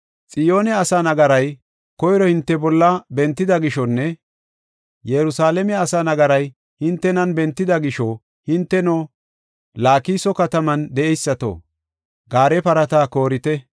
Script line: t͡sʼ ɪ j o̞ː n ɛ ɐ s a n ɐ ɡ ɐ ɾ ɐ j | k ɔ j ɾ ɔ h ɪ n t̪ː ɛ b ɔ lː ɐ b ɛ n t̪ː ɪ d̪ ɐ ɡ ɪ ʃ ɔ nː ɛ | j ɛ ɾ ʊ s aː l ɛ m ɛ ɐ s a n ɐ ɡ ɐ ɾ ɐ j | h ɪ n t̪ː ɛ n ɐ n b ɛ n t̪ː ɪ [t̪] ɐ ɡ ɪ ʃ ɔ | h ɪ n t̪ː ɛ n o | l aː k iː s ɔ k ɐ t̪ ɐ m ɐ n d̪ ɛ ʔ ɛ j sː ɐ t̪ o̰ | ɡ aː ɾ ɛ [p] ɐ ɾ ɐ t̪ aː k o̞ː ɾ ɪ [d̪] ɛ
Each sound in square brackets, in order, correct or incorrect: incorrect, correct, incorrect

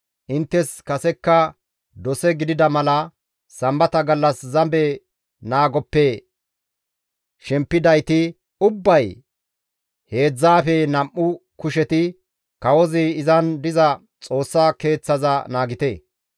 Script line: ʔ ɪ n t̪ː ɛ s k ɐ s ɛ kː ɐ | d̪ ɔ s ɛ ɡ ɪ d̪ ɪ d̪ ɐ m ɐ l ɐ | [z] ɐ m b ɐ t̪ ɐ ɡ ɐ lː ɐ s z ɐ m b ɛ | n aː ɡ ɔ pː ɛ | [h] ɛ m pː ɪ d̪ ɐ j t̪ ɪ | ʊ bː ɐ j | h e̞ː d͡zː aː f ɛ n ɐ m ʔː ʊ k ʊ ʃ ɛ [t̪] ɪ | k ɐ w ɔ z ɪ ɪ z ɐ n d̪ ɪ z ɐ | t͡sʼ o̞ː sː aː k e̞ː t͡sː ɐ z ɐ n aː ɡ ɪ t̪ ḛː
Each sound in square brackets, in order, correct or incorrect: incorrect, incorrect, correct

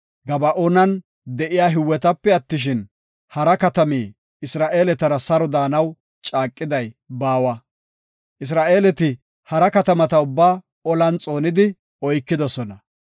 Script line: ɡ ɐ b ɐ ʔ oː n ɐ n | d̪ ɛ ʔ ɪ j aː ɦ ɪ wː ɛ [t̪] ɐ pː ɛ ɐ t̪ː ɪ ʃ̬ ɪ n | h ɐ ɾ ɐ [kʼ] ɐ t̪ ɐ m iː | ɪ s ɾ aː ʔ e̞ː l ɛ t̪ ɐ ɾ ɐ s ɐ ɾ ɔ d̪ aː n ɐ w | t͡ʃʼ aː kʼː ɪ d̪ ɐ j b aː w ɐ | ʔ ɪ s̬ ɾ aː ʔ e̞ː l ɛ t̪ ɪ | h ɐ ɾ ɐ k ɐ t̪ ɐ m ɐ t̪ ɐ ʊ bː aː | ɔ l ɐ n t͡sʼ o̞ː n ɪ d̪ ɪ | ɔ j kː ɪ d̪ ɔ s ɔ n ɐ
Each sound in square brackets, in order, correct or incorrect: correct, incorrect

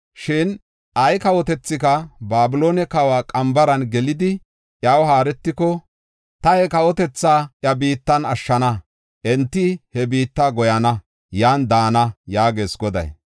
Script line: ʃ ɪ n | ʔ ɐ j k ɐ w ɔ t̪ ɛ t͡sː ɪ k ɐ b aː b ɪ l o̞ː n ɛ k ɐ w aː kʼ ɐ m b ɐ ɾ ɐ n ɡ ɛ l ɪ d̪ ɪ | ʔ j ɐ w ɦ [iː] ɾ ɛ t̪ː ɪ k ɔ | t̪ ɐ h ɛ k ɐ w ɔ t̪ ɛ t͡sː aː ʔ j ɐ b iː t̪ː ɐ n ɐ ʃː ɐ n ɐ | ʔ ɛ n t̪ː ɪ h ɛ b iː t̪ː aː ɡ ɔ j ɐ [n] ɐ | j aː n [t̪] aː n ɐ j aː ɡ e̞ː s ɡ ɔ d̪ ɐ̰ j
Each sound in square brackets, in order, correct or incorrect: incorrect, correct, incorrect

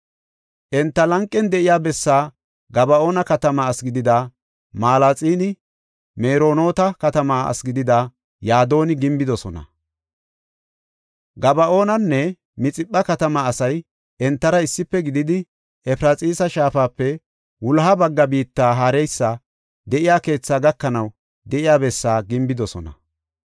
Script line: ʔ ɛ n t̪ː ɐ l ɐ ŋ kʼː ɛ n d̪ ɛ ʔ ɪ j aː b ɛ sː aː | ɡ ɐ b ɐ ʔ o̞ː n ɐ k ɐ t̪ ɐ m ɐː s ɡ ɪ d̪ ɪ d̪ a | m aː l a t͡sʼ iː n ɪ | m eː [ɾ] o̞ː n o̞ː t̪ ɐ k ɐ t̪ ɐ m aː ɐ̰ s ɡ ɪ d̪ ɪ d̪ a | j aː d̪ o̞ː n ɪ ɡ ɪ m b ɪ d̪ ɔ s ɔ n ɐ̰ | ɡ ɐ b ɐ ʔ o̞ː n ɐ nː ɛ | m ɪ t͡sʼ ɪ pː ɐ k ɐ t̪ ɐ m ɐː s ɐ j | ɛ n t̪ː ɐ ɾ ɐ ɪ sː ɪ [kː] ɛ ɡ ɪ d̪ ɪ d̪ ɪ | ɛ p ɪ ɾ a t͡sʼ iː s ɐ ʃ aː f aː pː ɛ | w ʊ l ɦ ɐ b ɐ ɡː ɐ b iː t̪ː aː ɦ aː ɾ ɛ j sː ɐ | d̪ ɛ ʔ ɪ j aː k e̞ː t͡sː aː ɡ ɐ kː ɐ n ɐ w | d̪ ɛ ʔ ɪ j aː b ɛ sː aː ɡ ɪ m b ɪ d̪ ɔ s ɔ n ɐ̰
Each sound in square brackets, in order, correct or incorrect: correct, incorrect

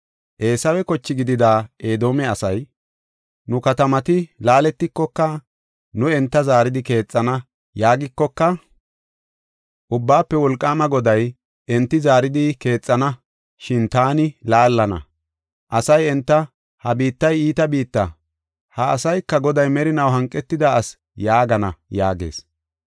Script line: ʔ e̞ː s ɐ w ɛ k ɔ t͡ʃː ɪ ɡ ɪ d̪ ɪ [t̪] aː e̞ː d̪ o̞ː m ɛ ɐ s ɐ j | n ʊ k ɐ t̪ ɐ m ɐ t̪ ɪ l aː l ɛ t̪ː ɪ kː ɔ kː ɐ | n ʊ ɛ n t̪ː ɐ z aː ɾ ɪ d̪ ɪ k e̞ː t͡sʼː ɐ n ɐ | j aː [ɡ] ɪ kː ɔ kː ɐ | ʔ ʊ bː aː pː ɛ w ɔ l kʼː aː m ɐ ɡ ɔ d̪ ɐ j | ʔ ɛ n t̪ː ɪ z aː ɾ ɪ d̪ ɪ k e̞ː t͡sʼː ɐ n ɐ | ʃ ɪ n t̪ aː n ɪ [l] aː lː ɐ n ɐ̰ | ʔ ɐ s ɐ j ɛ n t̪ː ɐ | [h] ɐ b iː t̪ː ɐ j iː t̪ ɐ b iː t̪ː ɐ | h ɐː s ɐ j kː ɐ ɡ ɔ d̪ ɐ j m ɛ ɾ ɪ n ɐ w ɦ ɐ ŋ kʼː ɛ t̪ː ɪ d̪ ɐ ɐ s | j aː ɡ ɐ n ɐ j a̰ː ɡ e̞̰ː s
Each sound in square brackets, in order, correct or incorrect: incorrect, correct, correct, correct

